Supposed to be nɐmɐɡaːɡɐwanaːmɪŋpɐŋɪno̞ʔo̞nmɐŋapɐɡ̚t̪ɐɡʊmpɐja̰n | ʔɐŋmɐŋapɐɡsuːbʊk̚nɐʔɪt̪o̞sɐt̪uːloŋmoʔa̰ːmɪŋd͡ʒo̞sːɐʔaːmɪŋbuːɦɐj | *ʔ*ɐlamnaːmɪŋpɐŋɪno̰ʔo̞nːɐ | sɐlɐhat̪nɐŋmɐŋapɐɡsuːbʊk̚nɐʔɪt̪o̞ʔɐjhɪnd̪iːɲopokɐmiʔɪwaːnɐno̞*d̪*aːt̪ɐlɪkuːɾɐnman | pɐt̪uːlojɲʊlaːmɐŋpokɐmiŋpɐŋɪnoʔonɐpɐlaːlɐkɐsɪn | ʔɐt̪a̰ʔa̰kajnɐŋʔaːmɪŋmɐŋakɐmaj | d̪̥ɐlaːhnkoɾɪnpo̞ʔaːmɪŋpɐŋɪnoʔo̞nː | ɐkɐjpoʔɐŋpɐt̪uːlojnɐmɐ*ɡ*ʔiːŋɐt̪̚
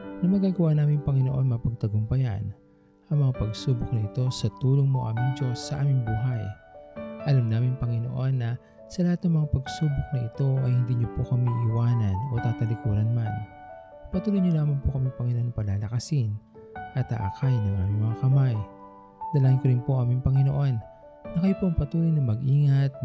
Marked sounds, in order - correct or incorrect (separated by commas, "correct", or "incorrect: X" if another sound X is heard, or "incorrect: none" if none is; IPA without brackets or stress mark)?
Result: correct, incorrect: t̪, correct